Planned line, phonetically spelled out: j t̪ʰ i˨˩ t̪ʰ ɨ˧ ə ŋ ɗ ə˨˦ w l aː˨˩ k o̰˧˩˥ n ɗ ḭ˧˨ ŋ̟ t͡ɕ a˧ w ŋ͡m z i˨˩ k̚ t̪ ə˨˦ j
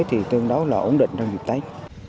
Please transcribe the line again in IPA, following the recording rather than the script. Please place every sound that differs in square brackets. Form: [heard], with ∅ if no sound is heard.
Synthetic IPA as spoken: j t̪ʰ i˨˩ [t̪] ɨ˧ ə ŋ ɗ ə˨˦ w l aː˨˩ [ʔ] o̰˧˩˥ n ɗ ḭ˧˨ ŋ̟ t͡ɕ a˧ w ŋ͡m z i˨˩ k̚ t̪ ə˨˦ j